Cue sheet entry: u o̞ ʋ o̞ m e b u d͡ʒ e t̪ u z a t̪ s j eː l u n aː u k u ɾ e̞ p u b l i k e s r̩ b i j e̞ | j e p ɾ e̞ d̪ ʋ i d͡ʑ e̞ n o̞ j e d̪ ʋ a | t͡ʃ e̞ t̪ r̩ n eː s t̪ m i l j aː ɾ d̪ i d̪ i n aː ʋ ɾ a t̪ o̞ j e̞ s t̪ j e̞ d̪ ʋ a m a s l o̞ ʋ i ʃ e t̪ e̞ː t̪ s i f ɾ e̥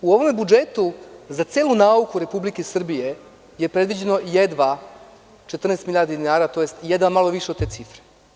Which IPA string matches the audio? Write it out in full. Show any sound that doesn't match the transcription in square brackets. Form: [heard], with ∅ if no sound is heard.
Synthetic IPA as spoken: u o̞ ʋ o̞ m e b u d͡ʒ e t̪ u z a t̪ s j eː l u n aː u k u ɾ e̞ p u b l i k e s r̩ b i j e̞ | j e p ɾ e̞ d̪ ʋ i d͡ʑ e̞ n o̞ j e d̪ ʋ a | t͡ʃ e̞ t̪ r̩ n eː s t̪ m i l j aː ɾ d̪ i d̪ i n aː [∅] ɾ a t̪ o̞ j e̞ s t̪ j e̞ d̪ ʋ a m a [∅] l o̞ ʋ i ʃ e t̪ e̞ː t̪ s i f ɾ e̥